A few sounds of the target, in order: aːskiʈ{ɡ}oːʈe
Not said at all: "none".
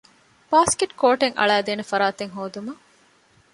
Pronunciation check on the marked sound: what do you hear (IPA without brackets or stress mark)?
k